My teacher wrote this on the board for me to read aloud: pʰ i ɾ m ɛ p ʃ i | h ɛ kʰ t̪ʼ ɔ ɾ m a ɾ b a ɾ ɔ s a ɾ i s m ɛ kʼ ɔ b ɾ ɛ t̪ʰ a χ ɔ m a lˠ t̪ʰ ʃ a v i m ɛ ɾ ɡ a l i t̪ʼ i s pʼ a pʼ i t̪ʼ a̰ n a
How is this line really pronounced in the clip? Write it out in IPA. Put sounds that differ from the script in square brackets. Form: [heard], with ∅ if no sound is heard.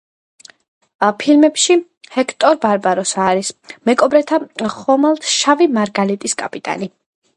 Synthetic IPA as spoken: pʰ i [l] m ɛ p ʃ i | h ɛ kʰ t̪ʼ ɔ ɾ [b] a ɾ b a ɾ ɔ s a ɾ i s m ɛ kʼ ɔ b ɾ ɛ t̪ʰ a χ ɔ m a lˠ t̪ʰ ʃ a v i m [a] ɾ ɡ a l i t̪ʼ i s [kʼ] a pʼ i t̪ʼ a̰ n [i]